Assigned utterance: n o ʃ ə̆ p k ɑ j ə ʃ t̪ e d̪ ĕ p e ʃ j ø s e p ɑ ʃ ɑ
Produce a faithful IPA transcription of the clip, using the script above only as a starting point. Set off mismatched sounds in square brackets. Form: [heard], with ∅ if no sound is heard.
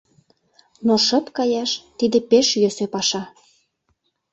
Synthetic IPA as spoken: n o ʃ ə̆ p k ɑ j [ɑ] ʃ t̪ [i] d̪ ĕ p e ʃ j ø s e p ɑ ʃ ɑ